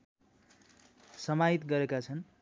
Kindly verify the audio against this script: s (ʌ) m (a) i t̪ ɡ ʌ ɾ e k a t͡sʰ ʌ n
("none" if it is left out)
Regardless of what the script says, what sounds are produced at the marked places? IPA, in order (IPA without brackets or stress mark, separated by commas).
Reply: ʌ, a